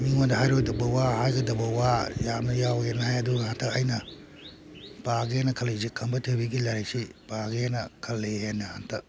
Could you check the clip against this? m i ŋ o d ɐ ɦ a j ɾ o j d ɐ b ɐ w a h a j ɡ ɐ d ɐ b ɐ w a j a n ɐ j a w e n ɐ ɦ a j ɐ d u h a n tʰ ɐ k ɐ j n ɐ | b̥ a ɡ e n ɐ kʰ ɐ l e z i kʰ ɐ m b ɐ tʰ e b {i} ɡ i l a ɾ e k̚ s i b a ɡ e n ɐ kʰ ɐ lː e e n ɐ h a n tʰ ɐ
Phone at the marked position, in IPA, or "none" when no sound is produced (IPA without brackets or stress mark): i